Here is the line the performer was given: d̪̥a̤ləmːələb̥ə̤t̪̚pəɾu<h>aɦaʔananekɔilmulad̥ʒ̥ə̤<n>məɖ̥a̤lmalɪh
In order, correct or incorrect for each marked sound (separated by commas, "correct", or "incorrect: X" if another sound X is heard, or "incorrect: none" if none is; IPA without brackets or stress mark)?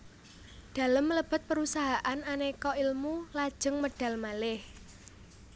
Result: incorrect: s, incorrect: ŋ